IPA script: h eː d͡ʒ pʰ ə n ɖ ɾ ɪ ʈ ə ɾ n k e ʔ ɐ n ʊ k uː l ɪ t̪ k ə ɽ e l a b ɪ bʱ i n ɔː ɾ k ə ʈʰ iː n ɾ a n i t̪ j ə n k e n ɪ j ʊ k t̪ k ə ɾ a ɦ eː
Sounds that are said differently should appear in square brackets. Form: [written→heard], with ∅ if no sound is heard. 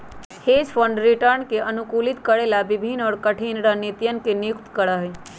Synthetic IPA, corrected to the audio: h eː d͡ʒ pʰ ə [n→ɳ] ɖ ɾ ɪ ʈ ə ɾ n k e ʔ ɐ n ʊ k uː l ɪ t̪ k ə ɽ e l a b ɪ bʱ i n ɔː ɾ k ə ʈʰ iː n ɾ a n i t̪ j ə n k e n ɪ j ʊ k t̪ k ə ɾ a ɦ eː